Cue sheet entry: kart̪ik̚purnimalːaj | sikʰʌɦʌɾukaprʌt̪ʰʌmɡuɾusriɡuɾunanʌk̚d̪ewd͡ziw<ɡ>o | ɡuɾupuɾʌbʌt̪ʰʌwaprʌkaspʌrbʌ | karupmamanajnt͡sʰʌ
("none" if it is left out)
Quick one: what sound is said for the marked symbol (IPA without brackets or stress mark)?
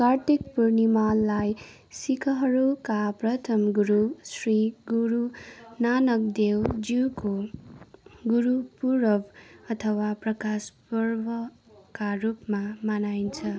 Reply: k